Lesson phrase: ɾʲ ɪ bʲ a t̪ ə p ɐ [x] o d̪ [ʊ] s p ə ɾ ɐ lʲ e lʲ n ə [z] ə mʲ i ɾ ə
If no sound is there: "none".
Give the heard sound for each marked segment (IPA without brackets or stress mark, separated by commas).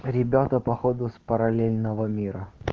x, ʊ, v